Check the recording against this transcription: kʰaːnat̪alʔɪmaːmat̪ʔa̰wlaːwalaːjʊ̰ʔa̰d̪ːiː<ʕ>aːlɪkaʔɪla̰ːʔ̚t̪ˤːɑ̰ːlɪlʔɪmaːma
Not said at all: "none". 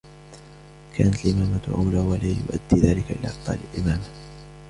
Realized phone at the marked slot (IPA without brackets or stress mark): ð